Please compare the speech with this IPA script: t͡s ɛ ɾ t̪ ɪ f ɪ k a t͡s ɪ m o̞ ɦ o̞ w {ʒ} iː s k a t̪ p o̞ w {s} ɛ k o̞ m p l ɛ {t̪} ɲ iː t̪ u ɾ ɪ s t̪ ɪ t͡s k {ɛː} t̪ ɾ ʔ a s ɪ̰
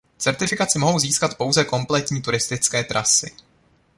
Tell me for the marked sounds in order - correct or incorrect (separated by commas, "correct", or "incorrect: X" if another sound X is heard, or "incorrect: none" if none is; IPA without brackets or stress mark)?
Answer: incorrect: z, incorrect: z, correct, correct